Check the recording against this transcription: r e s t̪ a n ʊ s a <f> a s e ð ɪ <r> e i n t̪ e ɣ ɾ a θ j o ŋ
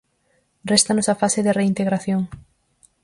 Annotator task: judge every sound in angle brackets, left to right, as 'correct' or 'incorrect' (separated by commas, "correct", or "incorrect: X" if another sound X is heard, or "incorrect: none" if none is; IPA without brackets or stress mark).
correct, correct